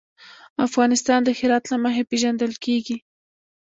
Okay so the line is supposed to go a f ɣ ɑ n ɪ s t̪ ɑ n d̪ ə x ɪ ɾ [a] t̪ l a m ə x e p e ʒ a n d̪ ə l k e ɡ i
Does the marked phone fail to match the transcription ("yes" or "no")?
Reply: yes